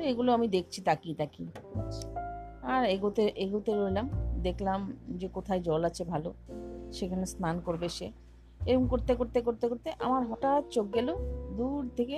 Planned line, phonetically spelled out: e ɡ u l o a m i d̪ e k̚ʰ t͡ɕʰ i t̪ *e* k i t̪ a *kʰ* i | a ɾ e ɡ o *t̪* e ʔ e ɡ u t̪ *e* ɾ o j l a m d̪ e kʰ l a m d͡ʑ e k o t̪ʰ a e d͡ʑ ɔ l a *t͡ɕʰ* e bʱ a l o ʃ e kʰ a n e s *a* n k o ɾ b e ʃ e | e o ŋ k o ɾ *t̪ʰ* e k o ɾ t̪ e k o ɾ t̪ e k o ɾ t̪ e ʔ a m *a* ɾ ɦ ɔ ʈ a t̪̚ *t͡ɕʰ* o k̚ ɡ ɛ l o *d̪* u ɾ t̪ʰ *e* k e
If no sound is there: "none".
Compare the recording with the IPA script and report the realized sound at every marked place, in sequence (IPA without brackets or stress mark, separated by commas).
a, k, t̪, e, t͡ɕʰ, a, t̪, a, t͡ɕ, d̪, e